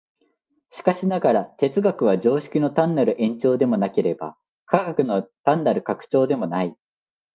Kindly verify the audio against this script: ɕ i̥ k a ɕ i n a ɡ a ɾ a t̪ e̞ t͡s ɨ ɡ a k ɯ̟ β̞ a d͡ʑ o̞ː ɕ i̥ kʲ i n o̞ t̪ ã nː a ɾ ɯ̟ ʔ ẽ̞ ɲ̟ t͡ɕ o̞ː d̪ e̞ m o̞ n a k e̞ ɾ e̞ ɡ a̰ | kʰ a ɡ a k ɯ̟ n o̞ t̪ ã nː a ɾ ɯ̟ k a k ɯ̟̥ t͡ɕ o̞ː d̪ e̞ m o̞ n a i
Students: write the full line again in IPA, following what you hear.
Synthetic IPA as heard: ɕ i̥ k a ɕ i n a ɡ a ɾ a t̪ e̞ t͡s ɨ ɡ a k ɯ̟ β̞ a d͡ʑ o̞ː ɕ i̥ kʲ i n o̞ t̪ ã nː a ɾ ɯ̟ ʔ ẽ̞ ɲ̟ t͡ɕ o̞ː d̪ e̞ m o̞ n a k e̞ ɾ e̞ b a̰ | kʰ a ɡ a k ɯ̟ n o̞ t̪ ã nː a ɾ ɯ̟ k a k ɯ̟̥ t͡ɕ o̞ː d̪ e̞ m o̞ n a i

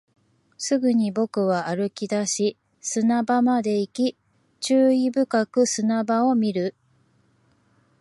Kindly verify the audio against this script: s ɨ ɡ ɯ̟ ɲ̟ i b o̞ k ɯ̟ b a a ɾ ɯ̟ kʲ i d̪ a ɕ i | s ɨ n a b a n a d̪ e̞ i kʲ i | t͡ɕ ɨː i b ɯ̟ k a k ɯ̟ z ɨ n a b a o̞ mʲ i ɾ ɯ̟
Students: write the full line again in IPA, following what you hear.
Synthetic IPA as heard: s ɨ ɡ ɯ̟ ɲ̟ i b o̞ k ɯ̟ β a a ɾ ɯ̟ kʲ i d̪ a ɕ i | s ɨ n a b a m a d̪ e̞ i kʲ i | t͡ɕ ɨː i b ɯ̟ k a k ɯ̟ s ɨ n a b a o̞ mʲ i ɾ ɯ̟

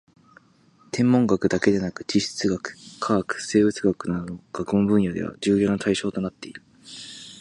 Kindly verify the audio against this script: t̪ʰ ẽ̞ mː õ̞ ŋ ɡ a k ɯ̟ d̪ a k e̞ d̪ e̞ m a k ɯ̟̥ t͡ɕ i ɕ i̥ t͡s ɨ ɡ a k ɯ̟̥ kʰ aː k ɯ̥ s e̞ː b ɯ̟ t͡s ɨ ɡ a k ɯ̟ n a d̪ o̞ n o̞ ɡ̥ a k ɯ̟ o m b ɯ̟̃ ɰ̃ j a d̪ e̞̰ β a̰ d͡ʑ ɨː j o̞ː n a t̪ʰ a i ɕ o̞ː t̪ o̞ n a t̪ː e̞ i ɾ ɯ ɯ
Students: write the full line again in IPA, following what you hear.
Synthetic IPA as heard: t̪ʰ ẽ̞ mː õ̞ ŋ ɡ a k ɯ̟ d̪ a k e̞ d̪ e̞ n a k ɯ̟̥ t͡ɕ i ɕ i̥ t͡s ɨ ɡ a k ɯ̟̥ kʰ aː k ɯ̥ s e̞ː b ɯ̟ t͡s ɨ ɡ a k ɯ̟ n a d̪ o̞ n o̞ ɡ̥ a k ɯ̟ o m b ɯ̟̃ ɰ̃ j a d̪ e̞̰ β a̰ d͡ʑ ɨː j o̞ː n a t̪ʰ a i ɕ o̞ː t̪ o̞ n a t̪ː e̞ i ɾ ɯ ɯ

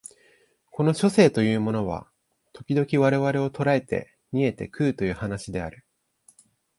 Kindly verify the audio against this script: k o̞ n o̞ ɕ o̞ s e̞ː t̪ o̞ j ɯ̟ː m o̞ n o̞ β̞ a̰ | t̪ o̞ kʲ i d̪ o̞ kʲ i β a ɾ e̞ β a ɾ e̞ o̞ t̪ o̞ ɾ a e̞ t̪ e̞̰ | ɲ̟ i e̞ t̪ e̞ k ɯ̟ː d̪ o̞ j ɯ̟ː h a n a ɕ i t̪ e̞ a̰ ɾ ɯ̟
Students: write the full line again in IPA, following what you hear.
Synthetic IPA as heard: k o̞ n o̞ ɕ o̞ s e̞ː t̪ o̞ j ɯ̟ː m o̞ n o̞ β̞ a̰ | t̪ o̞ kʲ i d̪ o̞ kʲ i β a ɾ e̞ β a ɾ e̞ o̞ t̪ o̞ ɾ a e̞ t̪ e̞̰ | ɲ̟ i e̞ t̪ e̞ k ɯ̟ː t̪ o̞ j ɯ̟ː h a n a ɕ i d̪ e̞ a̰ ɾ ɯ̟

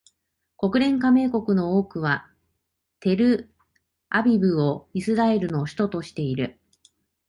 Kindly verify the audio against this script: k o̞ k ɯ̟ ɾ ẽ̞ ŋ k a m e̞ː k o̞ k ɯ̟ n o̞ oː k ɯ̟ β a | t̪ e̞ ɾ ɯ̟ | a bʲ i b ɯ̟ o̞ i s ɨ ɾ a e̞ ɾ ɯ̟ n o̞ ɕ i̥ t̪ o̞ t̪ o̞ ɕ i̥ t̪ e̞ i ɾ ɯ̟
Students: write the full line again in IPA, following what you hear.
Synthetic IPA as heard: k o̞ k ɯ̟ ɾ ẽ̞ ŋ k a m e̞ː k o̞ k ɯ̟ n o̞ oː k ɯ̟ β a | t̪ e̞ ɾ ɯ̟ | a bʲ i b ɯ̟ o̞ i s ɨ ɾ a e̞ ɾ ɯ̟ n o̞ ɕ i̥ t̪ o̞ t̪ o̞ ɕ i̥ t̪ e̞ i ɾ ɯ̟

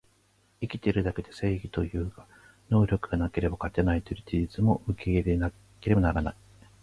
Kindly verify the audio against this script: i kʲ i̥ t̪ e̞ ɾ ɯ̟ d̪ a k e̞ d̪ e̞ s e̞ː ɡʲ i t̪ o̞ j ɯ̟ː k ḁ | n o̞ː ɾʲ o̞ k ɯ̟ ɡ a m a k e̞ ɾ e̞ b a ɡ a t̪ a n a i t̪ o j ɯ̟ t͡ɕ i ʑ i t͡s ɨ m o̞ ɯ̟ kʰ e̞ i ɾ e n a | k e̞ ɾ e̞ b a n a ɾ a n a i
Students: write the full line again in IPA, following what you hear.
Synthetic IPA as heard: i kʲ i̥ t̪ e̞ ɾ ɯ̟ d̪ a k e̞ d̪ e̞ s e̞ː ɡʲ i t̪ o̞ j ɯ̟ː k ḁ | n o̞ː ɾʲ o̞ k ɯ̟ ɡ a n a k e̞ ɾ e̞ b a k a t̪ e n a i t̪ o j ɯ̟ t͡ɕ i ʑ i t͡s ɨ m o̞ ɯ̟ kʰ e̞ i ɾ e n a | k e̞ ɾ e̞ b a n a ɾ a n a i

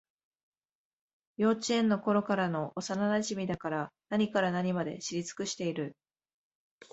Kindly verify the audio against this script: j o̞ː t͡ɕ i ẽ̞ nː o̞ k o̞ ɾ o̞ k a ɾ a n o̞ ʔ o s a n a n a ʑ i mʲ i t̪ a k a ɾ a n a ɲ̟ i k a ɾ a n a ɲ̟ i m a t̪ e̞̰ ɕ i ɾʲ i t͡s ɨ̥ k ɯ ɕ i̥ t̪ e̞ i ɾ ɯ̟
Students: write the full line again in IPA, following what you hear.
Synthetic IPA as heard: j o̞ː t͡ɕ i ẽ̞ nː o̞ k o̞ ɾ o̞ k a ɾ a n o̞ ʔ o s a n a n a ʑ i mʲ i d̪ a k a ɾ a n a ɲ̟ i k a ɾ a n a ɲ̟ i m a d̪ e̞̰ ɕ i ɾʲ i t͡s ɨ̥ k ɯ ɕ i̥ t̪ e̞ i ɾ ɯ̟

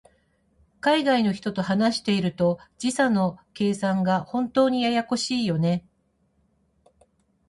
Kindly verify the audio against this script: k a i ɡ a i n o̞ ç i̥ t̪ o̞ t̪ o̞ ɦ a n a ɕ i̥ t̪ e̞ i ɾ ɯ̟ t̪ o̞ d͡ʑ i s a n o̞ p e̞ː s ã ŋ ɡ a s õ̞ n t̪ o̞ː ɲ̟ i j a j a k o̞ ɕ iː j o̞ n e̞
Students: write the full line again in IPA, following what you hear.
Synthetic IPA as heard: k a i ɡ a i n o̞ ç i̥ t̪ o̞ t̪ o̞ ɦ a n a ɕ i̥ t̪ e̞ i ɾ ɯ̟ t̪ o̞ d͡ʑ i s a n o̞ k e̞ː s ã ŋ ɡ a h õ̞ n t̪ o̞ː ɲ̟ i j a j a k o̞ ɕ iː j o̞ n e̞

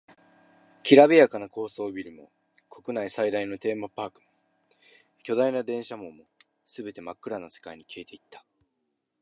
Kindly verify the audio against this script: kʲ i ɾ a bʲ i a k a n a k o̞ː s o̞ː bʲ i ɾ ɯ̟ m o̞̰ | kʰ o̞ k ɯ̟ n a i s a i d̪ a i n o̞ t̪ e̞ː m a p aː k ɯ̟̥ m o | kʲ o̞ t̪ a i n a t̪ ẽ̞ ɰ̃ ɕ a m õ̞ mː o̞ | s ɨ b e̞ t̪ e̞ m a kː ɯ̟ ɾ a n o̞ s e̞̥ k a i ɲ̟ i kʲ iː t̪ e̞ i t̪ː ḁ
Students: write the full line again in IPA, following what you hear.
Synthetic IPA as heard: kʲ i ɾ a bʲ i a k a n a k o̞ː s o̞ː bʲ i ɾ ɯ̟ m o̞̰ | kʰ o̞ k ɯ̟ n a i s a i d̪ a i n o̞ t̪ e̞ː m a p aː k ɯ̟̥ m o | kʲ o̞ d̪ a i n a d̪ ẽ̞ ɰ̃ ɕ a m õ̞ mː o̞ | s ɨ b e̞ t̪ e̞ m a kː ɯ̟ ɾ a n o̞ s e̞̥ k a i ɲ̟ i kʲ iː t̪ e̞ i t̪ː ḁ

